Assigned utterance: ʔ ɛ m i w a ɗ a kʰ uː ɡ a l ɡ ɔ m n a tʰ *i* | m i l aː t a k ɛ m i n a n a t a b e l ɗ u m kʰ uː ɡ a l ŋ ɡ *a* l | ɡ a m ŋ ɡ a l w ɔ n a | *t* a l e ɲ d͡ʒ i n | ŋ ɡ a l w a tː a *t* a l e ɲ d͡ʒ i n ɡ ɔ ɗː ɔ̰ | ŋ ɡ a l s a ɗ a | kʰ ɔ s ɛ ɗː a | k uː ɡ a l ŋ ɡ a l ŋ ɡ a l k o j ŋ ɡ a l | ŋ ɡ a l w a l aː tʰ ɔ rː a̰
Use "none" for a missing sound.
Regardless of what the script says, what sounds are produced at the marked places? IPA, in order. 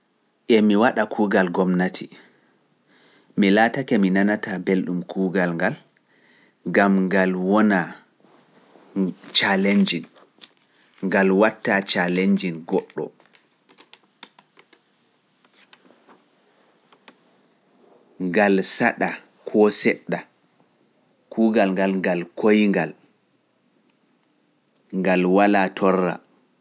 i, a, t͡ʃ, t͡ʃ

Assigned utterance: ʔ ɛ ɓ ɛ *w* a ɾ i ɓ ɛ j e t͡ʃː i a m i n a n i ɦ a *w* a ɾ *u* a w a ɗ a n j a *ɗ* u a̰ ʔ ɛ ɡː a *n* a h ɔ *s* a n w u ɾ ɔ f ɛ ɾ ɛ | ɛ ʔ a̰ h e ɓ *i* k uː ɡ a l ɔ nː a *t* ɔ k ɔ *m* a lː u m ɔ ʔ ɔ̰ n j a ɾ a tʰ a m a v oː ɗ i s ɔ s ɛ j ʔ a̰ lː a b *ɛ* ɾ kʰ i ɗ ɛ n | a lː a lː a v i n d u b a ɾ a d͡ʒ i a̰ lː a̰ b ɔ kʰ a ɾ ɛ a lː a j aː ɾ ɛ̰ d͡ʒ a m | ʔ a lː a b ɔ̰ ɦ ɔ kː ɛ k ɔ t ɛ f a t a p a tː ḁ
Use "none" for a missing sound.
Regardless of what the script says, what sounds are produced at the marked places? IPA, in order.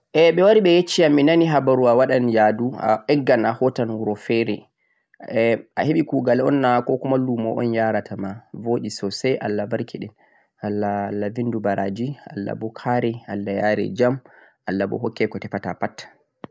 w, b, u, d, n, t, i, k, m, a

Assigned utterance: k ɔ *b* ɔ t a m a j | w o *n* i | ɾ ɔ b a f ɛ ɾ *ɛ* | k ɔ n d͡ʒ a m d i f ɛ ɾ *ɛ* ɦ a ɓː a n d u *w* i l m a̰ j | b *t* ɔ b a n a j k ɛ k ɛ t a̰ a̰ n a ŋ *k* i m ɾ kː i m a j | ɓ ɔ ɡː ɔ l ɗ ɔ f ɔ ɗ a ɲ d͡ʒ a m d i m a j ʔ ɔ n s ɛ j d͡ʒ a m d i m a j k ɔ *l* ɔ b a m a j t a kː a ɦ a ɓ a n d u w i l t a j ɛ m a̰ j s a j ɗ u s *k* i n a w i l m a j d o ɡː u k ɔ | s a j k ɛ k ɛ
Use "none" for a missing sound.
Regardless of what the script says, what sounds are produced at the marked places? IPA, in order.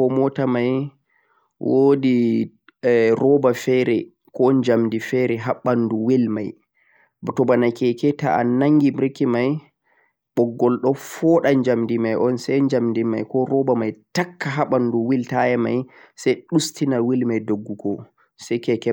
m, d, ɛ, ɛ, w, t, ɡ, ɾ, t

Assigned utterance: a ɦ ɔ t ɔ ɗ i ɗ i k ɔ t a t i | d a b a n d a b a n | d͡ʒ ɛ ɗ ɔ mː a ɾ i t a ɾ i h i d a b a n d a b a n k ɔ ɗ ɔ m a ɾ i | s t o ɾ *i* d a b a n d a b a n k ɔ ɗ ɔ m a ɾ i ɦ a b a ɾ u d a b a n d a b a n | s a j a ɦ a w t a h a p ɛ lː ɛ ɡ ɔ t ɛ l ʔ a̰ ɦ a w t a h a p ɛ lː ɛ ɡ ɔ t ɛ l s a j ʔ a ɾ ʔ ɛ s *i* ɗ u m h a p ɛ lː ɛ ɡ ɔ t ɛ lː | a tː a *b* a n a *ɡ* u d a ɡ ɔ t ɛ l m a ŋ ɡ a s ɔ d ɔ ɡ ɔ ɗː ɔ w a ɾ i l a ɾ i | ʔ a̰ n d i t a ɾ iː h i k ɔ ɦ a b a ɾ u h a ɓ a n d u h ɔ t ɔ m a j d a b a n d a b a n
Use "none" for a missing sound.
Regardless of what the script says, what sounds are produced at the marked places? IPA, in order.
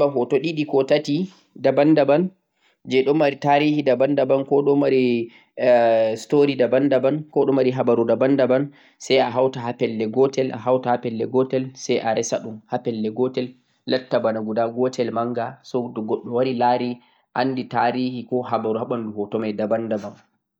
i, a, b, ɡ

